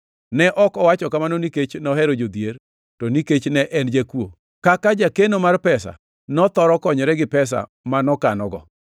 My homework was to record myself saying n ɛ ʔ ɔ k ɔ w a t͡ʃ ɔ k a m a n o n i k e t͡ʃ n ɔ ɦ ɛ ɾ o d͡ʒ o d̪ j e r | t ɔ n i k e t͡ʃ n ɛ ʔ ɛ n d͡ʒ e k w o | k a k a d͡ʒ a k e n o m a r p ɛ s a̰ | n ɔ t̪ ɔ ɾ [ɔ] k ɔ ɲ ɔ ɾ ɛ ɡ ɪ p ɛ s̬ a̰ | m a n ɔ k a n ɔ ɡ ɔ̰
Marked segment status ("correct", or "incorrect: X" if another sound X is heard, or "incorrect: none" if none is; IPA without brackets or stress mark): correct